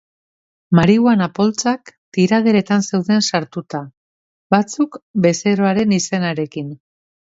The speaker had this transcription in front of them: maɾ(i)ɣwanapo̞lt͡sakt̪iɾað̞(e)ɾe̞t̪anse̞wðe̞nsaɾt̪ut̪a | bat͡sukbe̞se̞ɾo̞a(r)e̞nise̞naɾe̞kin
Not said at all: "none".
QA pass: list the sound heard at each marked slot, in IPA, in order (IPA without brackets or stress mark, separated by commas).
i, e, ɾ